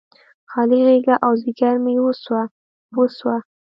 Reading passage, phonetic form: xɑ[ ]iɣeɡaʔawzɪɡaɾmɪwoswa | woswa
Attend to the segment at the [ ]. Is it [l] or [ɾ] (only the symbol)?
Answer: l